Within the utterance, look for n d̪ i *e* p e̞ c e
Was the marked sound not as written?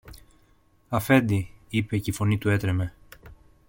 yes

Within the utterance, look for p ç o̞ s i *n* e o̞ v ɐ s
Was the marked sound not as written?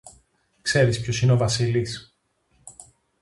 no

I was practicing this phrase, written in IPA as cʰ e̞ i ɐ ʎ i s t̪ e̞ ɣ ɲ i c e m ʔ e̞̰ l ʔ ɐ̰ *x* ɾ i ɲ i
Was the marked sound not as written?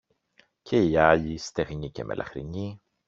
no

